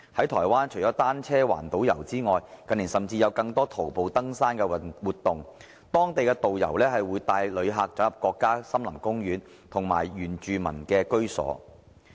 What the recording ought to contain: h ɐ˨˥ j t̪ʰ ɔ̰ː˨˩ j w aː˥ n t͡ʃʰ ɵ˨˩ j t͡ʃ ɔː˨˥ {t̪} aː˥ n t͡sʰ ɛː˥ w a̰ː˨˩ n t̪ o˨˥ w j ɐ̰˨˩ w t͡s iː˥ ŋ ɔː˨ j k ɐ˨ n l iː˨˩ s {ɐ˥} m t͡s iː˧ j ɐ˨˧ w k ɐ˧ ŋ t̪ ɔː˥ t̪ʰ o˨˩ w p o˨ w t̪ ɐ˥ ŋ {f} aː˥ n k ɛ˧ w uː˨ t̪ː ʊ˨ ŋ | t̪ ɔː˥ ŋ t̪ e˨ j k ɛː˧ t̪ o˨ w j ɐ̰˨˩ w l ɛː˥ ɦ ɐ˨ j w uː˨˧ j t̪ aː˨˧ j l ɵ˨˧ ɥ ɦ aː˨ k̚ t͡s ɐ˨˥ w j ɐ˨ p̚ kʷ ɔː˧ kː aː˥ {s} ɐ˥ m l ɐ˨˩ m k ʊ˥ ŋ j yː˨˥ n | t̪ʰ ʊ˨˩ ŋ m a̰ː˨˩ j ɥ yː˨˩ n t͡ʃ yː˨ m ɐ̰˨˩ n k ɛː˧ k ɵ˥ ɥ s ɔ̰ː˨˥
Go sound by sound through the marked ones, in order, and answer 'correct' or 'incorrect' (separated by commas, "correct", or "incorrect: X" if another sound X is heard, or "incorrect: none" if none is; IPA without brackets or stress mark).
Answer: correct, incorrect: ɐ˨˩, incorrect: s, correct